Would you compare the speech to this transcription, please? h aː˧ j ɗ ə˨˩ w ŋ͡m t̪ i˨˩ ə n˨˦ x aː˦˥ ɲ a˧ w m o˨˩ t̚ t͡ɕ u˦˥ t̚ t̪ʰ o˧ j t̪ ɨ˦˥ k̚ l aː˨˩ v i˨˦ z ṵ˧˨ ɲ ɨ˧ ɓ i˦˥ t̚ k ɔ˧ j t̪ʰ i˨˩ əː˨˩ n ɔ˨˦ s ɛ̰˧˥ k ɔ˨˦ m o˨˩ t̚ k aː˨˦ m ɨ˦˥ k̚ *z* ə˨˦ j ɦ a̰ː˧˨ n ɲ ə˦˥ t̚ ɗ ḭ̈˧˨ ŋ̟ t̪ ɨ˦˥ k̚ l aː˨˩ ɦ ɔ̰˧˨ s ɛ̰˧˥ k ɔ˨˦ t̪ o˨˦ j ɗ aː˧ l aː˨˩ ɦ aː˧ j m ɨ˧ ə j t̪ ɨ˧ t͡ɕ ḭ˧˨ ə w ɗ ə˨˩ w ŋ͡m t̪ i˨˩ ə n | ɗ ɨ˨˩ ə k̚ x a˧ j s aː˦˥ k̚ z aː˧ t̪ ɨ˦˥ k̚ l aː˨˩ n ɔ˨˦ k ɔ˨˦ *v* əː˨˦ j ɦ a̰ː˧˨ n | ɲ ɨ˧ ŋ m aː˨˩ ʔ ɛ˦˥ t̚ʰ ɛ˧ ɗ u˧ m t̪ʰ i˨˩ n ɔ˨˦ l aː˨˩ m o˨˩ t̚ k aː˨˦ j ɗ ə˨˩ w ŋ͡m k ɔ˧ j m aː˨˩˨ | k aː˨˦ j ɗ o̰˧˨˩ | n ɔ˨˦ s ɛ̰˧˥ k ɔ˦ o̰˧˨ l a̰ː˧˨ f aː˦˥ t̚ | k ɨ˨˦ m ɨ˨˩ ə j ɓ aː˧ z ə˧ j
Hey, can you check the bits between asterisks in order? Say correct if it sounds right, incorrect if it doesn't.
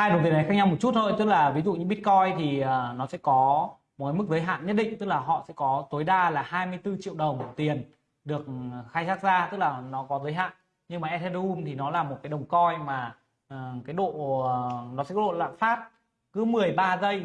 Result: correct, incorrect: z

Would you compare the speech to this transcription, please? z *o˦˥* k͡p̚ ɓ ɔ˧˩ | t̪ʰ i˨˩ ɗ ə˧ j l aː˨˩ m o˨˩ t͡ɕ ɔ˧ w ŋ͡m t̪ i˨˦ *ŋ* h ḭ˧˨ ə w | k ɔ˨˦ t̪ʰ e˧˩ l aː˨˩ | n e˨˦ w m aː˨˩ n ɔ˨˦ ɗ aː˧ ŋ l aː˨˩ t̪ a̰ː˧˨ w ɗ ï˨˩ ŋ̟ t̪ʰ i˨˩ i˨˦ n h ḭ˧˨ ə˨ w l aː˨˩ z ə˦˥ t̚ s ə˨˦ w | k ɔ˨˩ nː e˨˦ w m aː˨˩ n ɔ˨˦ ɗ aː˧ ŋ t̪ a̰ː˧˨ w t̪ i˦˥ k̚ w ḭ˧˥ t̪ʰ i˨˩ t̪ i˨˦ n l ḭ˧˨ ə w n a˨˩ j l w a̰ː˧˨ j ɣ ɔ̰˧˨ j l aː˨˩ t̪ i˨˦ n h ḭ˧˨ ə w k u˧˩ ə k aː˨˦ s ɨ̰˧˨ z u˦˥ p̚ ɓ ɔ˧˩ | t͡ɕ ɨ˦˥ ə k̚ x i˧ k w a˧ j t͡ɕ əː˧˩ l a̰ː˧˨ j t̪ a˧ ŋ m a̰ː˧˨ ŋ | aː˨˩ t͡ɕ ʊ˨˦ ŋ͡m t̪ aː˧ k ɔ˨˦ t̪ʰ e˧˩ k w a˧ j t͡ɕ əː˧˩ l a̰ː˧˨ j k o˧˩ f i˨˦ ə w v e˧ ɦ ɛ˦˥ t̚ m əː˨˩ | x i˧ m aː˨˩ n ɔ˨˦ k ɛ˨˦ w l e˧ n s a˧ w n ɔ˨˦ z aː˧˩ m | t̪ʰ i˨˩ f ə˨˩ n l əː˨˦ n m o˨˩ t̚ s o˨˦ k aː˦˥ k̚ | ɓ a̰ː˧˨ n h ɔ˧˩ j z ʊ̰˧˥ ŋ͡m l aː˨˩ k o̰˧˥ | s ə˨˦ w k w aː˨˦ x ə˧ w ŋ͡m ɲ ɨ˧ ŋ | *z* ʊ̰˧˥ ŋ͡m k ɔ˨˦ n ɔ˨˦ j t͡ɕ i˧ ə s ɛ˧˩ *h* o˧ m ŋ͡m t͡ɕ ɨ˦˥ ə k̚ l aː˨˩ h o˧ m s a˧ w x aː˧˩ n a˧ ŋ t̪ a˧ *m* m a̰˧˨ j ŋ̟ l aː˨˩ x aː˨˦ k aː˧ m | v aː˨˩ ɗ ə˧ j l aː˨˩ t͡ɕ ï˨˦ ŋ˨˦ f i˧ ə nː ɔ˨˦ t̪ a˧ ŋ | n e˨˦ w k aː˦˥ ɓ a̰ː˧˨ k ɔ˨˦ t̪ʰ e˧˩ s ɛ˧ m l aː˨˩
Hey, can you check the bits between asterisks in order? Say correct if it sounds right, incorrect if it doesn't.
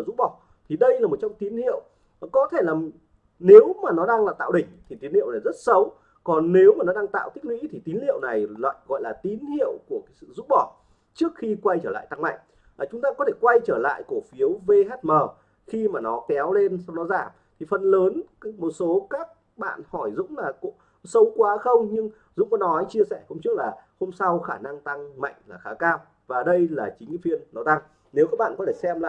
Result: incorrect: u˦˥, incorrect: n, correct, correct, incorrect: ŋ

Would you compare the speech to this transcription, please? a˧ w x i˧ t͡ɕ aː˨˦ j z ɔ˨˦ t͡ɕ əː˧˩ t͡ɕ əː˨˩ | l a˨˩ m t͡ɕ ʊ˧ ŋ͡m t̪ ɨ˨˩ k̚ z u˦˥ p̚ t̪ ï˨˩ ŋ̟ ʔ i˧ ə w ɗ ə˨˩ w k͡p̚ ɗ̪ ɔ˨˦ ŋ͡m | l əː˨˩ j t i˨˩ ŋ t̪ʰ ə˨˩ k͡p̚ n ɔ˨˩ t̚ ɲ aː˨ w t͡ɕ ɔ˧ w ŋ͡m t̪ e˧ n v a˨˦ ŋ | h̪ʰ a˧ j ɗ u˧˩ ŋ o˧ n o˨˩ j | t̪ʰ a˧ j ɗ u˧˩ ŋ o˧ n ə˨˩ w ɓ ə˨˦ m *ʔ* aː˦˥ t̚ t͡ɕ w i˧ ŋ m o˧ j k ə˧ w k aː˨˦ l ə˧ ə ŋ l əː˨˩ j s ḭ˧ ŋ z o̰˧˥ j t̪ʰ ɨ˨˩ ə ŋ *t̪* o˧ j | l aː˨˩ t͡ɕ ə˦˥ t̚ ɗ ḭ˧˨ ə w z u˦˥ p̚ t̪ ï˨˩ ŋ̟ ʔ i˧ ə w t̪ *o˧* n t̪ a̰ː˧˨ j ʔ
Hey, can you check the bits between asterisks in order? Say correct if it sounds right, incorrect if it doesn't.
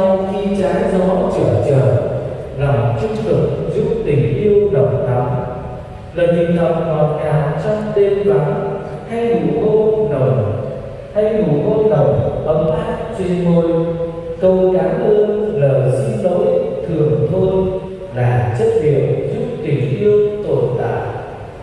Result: correct, incorrect: t̪ʰ, incorrect: o˨˩

